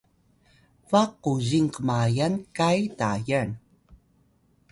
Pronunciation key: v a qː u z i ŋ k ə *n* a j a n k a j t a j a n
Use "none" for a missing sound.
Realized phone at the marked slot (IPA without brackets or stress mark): m